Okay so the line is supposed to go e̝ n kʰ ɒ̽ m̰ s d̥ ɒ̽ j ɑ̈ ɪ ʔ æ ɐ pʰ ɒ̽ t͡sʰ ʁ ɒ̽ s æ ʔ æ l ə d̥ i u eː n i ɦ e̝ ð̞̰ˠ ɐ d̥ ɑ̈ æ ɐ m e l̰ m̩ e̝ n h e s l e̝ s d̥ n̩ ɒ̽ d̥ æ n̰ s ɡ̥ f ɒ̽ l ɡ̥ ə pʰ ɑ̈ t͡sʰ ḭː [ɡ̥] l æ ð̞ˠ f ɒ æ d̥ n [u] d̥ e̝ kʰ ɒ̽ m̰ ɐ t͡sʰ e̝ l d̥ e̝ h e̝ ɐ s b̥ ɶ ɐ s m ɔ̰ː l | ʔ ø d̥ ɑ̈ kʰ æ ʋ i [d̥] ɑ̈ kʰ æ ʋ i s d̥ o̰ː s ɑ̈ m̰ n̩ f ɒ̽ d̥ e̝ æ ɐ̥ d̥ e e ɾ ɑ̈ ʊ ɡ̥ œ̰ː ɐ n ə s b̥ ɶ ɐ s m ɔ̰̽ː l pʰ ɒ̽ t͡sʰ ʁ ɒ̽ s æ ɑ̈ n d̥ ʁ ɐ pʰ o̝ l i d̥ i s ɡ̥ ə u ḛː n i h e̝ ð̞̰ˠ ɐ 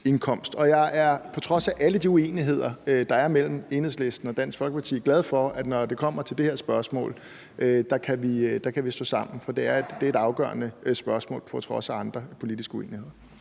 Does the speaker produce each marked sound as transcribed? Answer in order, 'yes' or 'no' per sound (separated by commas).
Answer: yes, no, yes